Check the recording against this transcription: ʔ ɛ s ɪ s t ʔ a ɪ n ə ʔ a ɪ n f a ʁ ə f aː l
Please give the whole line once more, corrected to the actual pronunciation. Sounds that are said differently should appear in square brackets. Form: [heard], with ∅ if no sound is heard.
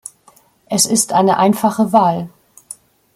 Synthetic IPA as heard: ʔ ɛ s ɪ s t ʔ a ɪ n ə ʔ a ɪ n f a [χ] ə [v] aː l